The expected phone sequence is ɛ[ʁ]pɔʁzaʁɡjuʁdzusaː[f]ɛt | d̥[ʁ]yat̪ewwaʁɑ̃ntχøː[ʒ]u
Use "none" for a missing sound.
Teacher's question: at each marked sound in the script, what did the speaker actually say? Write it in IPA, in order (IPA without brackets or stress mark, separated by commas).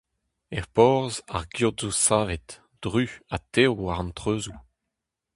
ʁ, v, ʁ, z